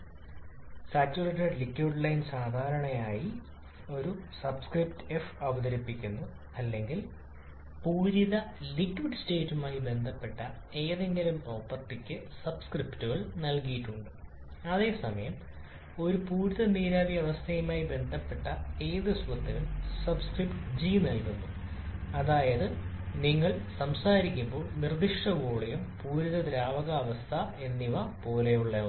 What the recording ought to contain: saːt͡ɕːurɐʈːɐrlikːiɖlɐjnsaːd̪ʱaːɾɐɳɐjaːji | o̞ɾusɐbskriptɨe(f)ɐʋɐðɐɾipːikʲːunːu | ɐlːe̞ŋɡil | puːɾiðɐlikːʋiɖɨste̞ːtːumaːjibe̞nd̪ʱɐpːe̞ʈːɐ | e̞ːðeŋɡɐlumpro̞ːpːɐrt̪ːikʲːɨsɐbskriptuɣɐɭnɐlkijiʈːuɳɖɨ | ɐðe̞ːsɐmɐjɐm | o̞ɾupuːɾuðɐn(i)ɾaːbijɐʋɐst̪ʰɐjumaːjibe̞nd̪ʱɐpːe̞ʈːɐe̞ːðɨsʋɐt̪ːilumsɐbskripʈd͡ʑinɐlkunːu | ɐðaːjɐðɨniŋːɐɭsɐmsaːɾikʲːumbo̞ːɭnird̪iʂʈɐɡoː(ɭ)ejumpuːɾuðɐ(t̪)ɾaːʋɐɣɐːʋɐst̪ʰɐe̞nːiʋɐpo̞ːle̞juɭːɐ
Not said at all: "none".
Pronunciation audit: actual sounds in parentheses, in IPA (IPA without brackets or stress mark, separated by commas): f, iː, ɭ, d̪